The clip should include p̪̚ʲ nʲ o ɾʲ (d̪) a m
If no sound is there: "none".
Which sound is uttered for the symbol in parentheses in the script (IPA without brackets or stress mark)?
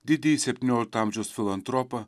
t̪